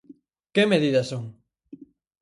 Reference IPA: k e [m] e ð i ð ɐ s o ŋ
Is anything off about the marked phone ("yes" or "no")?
no